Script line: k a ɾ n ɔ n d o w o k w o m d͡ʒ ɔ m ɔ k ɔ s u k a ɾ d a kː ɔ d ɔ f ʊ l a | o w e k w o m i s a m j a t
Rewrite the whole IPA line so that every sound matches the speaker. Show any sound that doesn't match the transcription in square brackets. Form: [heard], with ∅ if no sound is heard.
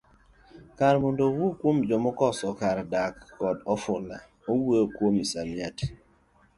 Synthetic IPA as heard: k a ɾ [m] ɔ n d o w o k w o m d͡ʒ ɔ m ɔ k ɔ s [ɔ] k a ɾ d a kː ɔ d ɔ f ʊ l a | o w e k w o m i s a m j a t